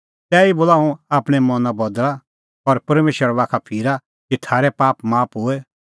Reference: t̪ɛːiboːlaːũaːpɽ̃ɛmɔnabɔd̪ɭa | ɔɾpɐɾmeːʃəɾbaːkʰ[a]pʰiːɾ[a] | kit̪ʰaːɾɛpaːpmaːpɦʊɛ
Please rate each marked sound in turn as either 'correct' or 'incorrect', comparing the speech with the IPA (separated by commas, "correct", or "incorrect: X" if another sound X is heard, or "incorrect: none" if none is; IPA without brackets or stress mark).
correct, correct